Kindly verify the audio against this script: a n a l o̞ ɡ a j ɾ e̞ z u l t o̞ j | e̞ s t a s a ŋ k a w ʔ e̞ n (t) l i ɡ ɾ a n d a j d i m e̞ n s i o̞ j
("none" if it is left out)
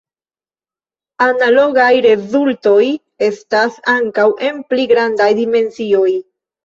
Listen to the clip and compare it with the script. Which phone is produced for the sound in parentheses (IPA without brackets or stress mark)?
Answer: p